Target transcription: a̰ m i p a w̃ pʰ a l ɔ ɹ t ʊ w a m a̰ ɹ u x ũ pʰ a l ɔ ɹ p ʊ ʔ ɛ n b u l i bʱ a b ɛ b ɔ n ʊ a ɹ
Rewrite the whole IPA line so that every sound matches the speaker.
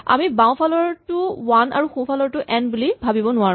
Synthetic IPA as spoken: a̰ m i b a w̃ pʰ a l ɔ ɹ t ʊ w a n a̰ ɹ u x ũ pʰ a l ɔ ɹ t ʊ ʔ ɛ n b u l i bʱ a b i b ɔ n ʊ a ɹ